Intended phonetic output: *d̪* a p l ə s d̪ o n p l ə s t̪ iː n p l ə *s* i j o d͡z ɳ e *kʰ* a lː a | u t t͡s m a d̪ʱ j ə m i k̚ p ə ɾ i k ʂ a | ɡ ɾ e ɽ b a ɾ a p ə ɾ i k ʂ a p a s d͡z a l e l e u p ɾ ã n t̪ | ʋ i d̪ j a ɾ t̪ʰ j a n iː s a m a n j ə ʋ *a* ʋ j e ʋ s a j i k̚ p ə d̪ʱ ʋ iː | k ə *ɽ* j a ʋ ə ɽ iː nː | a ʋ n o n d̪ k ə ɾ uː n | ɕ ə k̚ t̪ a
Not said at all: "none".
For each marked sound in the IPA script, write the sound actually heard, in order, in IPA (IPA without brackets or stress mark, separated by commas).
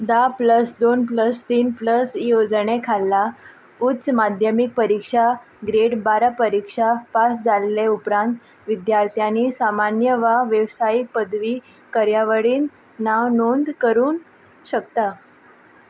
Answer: d̪, s, kʰ, a, ɾ